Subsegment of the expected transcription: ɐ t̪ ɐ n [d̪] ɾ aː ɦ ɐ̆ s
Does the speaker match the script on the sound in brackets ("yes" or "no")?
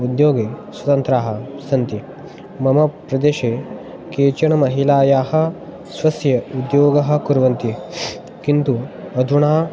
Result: no